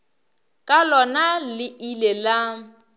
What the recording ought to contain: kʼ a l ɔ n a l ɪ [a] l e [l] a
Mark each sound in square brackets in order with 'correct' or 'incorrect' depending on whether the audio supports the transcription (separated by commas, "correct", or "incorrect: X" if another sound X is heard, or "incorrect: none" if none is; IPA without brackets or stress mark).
incorrect: i, correct